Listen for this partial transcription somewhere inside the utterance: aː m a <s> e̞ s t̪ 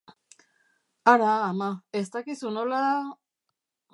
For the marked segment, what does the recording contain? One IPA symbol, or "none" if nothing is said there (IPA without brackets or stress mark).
none